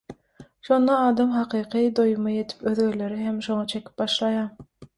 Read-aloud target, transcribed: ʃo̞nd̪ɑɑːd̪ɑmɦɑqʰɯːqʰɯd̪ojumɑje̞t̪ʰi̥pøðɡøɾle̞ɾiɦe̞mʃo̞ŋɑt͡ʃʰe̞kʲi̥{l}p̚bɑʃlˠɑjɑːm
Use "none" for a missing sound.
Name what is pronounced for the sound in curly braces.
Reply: none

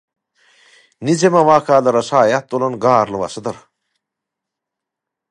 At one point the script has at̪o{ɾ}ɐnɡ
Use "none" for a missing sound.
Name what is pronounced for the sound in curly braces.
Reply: l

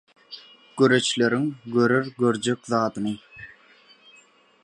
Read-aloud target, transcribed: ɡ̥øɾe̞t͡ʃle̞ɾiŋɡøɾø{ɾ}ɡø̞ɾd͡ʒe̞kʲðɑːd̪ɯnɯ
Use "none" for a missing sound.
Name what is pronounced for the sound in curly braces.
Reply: ɾ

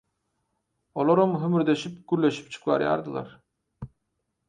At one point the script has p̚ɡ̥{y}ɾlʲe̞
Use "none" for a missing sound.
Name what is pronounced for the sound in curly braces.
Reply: y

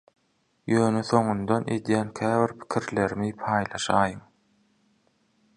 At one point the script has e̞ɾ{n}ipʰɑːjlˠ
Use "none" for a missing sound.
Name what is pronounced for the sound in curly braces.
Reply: m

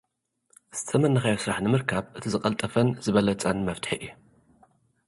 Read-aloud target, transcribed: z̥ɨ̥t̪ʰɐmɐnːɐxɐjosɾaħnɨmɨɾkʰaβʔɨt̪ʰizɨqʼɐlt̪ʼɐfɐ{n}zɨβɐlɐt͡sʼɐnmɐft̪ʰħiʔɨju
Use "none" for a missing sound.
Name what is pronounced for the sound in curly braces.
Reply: n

